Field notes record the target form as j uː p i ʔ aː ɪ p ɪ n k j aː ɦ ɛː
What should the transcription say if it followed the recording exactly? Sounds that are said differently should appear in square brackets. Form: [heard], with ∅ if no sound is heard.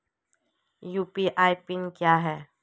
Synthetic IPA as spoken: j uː p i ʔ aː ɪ p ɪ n k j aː ɦ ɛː